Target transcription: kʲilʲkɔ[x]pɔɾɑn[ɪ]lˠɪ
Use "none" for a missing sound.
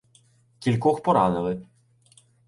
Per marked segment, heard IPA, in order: x, ɪ

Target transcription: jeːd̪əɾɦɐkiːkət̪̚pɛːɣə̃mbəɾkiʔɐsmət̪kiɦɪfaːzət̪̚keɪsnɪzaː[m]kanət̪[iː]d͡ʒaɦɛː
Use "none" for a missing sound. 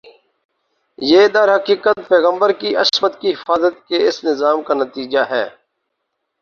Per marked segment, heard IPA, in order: m, iː

